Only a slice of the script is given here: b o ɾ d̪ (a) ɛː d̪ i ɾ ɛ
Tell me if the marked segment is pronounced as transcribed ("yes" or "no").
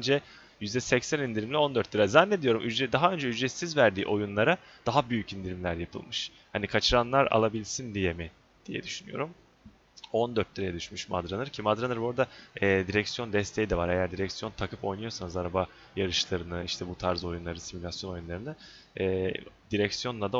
yes